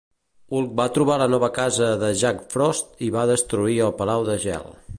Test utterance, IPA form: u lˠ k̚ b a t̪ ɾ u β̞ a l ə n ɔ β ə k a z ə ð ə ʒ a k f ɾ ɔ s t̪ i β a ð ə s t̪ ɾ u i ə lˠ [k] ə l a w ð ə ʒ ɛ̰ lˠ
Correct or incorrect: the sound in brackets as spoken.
incorrect: p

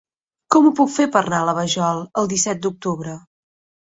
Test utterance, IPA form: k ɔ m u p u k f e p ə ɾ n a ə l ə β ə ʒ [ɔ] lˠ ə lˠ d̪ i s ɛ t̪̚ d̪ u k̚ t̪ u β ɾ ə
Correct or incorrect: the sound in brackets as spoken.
correct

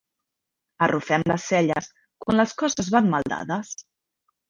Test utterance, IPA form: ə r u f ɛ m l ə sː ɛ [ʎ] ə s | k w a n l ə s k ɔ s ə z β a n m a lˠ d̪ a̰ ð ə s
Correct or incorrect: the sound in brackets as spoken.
correct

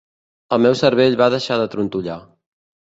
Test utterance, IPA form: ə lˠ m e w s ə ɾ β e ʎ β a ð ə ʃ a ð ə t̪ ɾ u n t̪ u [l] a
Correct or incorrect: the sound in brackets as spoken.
incorrect: ʎ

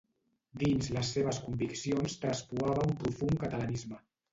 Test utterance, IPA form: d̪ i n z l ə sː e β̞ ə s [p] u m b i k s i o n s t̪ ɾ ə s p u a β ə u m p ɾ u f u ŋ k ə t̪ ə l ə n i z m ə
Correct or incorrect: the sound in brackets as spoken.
incorrect: k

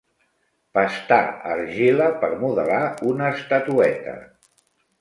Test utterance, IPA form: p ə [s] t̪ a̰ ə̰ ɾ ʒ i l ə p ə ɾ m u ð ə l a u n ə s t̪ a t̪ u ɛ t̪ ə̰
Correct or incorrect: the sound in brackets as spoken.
correct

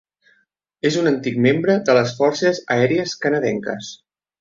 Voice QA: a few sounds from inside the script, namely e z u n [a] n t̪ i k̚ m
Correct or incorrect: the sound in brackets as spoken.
incorrect: ə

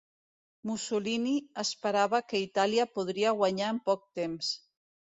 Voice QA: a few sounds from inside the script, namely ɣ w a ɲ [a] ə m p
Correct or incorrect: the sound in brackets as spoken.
correct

